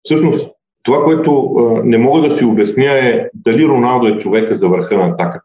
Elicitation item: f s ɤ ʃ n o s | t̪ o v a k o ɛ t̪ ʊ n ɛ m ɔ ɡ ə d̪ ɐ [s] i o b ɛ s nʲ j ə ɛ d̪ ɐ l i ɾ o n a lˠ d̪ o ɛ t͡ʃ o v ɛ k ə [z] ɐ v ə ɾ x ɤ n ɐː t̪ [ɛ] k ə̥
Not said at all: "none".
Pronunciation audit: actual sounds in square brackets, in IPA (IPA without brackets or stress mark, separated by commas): s, z, a